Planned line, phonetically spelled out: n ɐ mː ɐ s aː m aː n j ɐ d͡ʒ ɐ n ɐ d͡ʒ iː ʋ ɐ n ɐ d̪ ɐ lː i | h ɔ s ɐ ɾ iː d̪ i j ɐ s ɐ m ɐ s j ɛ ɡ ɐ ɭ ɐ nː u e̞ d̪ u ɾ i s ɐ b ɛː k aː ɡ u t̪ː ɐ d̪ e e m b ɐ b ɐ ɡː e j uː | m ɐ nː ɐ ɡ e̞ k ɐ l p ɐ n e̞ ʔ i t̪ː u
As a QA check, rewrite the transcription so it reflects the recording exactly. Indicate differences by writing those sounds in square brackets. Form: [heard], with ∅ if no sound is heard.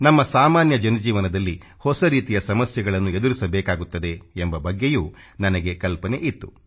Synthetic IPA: n ɐ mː ɐ s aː m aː n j ɐ d͡ʒ ɐ n ɐ d͡ʒ iː ʋ ɐ n ɐ d̪ ɐ lː i | h ɔ s ɐ ɾ iː [t̪] i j ɐ s ɐ m ɐ s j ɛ ɡ ɐ ɭ ɐ nː u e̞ d̪ u ɾ i s ɐ b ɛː k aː ɡ u t̪ː ɐ d̪ e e m b ɐ b ɐ ɡː e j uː | [n] ɐ [n] ɐ ɡ e̞ k ɐ l p ɐ n e̞ ʔ i t̪ː u